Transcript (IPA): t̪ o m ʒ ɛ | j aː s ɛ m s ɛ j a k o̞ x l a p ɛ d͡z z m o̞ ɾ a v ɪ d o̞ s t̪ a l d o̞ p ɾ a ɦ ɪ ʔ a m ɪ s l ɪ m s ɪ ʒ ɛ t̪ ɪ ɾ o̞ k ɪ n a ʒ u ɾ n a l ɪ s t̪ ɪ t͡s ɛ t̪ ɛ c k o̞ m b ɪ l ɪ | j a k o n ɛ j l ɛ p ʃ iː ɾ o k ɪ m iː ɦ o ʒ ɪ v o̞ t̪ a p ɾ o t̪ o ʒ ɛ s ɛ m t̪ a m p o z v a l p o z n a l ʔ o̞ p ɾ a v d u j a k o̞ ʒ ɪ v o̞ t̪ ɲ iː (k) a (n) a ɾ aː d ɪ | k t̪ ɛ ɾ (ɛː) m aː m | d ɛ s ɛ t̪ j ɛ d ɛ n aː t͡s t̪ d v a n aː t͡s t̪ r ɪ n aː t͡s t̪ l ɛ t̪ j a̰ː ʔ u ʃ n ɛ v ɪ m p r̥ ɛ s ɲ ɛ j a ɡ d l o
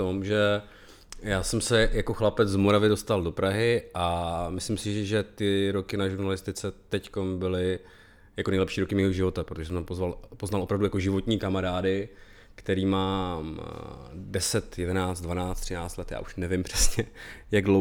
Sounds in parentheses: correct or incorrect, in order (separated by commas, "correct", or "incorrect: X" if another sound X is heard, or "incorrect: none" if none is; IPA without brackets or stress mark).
correct, incorrect: m, incorrect: iː